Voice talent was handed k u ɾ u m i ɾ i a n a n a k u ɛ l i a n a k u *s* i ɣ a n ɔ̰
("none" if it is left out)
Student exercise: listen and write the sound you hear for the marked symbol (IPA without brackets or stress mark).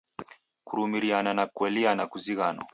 z